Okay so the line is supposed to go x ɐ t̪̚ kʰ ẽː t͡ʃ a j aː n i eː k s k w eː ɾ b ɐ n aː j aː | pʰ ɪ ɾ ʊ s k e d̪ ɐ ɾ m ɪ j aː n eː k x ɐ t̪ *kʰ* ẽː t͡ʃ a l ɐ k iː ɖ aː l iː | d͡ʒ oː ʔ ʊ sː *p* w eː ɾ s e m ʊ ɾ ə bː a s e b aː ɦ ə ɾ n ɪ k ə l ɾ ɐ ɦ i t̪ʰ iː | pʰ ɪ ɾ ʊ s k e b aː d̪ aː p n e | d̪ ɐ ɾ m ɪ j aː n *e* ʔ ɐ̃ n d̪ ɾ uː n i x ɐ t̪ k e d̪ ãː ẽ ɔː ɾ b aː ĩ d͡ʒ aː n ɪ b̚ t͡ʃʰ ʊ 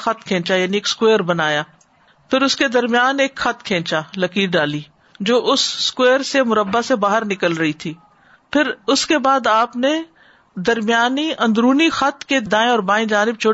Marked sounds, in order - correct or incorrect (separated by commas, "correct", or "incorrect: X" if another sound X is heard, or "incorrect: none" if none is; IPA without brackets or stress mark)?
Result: correct, incorrect: k, incorrect: i